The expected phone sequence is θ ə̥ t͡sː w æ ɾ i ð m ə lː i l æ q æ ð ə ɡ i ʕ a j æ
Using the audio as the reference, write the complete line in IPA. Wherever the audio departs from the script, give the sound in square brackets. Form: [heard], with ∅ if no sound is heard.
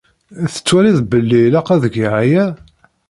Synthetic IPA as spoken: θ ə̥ t͡sː w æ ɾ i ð [b] ə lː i l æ q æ ð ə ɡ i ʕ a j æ